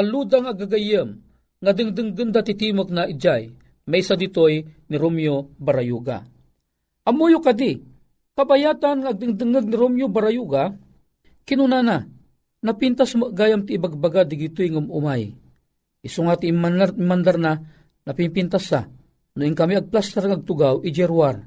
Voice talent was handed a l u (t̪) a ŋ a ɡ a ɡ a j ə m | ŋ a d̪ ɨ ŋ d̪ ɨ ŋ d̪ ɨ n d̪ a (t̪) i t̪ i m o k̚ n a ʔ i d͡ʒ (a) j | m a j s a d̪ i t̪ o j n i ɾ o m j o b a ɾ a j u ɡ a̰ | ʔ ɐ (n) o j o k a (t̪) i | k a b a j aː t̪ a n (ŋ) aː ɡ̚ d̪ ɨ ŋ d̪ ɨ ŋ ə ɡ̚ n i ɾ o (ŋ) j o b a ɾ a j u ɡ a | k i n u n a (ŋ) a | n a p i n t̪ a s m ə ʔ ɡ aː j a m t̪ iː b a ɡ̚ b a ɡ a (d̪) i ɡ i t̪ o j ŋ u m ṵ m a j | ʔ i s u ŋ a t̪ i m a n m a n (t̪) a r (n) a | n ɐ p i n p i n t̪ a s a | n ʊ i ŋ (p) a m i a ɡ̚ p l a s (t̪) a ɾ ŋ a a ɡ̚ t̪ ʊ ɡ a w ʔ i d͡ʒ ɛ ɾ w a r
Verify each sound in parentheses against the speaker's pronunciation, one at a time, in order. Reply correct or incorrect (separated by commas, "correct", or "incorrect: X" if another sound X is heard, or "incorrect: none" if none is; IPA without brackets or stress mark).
incorrect: d̪, correct, correct, incorrect: m, incorrect: d̪, correct, incorrect: m, incorrect: n, correct, incorrect: d̪, correct, incorrect: k, correct